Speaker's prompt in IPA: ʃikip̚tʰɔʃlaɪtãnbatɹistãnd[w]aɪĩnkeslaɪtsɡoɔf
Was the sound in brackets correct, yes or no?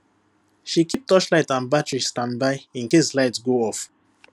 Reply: no